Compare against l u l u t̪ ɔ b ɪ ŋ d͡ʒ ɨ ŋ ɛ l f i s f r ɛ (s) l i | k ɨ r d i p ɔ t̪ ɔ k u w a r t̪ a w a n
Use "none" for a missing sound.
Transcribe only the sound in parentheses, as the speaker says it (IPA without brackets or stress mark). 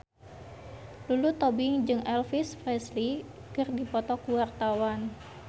s